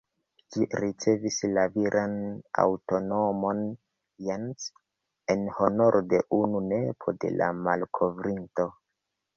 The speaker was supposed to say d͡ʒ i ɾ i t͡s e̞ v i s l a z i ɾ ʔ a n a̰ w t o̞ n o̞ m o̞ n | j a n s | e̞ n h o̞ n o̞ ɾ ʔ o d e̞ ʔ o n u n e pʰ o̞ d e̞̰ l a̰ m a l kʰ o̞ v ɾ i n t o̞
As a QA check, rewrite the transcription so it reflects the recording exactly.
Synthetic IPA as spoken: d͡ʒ i ɾ i t͡s e̞ v i s l a v i ɾ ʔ a n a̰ w t o̞ n o̞ m o̞ n | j a n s | e̞ n h o̞ n o̞ ɾ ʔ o d e̞ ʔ u n u n e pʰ o̞ d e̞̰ l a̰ m a l kʰ o̞ v ɾ i n t o̞